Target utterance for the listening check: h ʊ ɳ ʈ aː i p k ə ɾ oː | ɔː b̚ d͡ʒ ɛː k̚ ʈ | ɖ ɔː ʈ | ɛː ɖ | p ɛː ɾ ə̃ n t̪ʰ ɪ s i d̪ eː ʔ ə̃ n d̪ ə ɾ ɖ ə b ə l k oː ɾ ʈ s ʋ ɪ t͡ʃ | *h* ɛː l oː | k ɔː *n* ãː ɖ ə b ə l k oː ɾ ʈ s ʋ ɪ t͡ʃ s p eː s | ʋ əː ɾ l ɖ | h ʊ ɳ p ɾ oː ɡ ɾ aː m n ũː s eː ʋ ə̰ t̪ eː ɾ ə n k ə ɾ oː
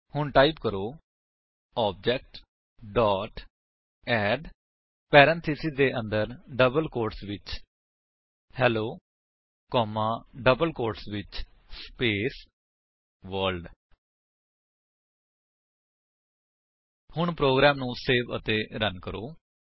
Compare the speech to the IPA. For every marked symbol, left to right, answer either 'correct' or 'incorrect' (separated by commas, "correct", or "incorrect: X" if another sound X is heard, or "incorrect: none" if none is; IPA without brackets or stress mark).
correct, incorrect: m